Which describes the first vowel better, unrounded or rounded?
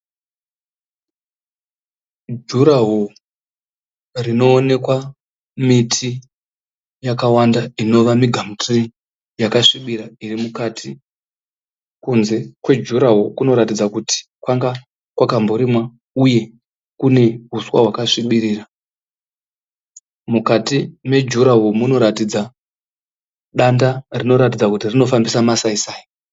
rounded